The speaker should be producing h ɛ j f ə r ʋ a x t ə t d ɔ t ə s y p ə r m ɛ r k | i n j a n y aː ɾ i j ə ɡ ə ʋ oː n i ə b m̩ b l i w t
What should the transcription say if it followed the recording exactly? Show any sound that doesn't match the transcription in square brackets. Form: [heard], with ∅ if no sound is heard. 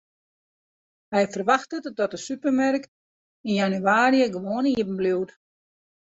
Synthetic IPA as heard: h ɛ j f ə r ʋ a x t ə t d ɔ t ə s y p ə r m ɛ r k | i n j a n y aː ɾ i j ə ɡ ə ʋ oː n i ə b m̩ b l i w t